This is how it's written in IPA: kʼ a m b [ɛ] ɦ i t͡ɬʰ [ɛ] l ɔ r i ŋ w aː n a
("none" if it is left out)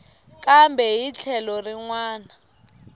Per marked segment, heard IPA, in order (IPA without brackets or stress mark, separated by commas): ɛ, ɛ